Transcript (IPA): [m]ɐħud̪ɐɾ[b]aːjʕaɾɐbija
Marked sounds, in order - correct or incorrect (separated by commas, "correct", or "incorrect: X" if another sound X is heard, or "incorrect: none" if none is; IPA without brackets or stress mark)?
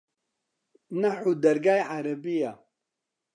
incorrect: n, incorrect: ɡ